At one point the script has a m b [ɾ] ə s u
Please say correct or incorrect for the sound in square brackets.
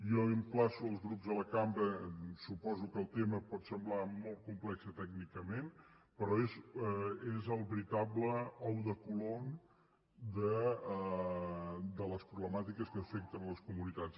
correct